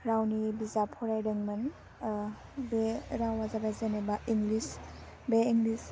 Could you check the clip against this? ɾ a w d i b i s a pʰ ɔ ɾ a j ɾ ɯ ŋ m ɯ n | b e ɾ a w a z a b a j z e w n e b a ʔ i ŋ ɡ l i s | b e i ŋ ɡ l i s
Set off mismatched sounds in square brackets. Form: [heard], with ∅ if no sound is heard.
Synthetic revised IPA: ɾ a w [n] i b i [z] a pʰ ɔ ɾ a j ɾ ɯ ŋ m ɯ n | b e ɾ a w a z a b a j z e [∅] n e b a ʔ i ŋ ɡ l i s | b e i ŋ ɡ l i s

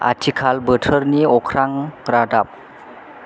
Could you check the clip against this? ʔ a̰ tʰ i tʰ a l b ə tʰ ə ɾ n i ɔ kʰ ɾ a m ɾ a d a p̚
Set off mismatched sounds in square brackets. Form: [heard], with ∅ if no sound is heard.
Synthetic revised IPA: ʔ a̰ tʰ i [kʰ] a l b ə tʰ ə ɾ n i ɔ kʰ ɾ a [ŋ] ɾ a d a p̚

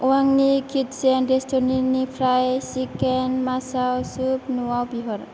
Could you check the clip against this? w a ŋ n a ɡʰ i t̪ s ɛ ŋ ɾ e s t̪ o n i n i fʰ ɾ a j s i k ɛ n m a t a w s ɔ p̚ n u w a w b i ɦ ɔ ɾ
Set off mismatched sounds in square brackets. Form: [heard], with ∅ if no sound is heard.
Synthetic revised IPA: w a ŋ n [i] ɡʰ i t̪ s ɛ [n] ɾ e s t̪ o n i n i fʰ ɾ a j s i k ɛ n m a [s] a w s [u] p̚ n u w a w b i ɦ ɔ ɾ

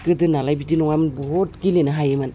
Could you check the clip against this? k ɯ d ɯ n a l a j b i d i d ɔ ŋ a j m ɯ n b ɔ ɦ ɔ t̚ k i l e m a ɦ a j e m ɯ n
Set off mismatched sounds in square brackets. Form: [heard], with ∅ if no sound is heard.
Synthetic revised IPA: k ɯ d ɯ n a l a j b i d i [n] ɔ ŋ a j m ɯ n b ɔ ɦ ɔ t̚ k i l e [n] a ɦ a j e m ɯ n

